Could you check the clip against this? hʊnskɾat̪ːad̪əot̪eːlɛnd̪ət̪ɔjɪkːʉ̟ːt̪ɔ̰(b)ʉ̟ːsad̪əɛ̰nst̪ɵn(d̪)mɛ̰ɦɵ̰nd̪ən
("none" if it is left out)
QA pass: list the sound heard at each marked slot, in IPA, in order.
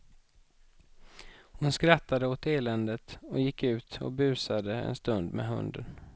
b, d̪

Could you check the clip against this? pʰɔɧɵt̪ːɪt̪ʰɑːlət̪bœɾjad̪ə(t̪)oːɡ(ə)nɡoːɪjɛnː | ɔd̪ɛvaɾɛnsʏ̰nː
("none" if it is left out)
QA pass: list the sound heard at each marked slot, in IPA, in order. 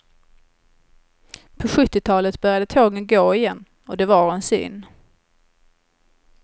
t̪ʰ, ə

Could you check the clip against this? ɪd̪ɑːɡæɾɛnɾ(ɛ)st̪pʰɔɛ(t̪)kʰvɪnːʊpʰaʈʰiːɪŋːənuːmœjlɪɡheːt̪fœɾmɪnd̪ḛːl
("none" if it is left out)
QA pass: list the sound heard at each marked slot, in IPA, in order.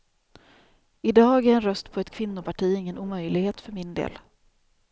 œ, t̪

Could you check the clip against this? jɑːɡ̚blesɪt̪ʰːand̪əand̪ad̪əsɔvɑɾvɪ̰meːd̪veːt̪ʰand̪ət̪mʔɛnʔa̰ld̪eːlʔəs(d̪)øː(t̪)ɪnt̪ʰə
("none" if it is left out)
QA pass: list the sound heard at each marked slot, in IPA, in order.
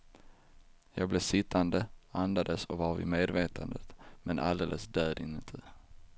d̪, d̪

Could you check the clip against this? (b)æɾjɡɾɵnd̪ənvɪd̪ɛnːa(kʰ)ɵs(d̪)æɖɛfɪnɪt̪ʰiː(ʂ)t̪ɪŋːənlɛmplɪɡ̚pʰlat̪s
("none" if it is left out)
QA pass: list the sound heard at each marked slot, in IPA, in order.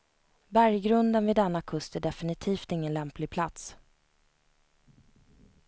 b, kʰ, t̪, f

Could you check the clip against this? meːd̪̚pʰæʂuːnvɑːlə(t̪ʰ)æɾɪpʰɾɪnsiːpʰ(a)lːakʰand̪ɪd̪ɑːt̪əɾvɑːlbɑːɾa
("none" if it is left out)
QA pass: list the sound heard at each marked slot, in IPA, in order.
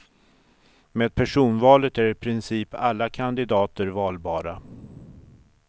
t̪, a

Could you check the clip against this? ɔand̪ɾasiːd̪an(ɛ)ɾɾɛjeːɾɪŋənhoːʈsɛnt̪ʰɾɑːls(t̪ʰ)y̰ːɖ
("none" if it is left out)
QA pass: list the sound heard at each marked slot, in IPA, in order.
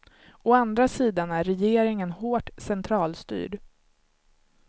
æ, t̪

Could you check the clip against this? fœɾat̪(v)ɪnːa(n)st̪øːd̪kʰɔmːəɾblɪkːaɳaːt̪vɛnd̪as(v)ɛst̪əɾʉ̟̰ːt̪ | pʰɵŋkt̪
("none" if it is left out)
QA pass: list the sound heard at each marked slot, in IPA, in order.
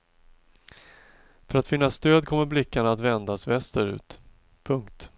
f, none, v

